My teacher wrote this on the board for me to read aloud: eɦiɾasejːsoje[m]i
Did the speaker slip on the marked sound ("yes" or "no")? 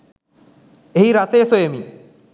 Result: no